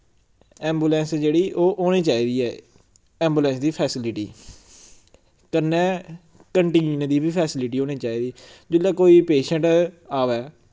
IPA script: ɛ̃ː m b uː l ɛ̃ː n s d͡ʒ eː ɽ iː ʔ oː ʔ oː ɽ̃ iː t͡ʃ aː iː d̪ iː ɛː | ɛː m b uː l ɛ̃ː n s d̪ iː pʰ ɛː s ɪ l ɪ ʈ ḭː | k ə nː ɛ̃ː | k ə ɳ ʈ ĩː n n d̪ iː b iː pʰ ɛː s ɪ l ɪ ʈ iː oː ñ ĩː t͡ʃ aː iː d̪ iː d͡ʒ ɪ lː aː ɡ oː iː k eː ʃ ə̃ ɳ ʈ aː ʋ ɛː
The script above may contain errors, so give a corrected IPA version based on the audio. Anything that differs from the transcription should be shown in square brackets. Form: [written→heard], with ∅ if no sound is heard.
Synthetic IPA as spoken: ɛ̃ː m b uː l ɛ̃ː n s d͡ʒ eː ɽ iː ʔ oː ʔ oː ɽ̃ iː t͡ʃ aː iː d̪ iː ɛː | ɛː m b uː l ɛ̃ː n s d̪ iː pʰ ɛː s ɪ l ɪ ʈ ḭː | k ə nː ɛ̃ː | k ə ɳ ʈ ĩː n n d̪ iː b iː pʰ ɛː s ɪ l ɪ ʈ iː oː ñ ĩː t͡ʃ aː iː d̪ iː d͡ʒ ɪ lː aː [ɡ→k] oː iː [k→p] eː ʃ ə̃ ɳ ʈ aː ʋ ɛː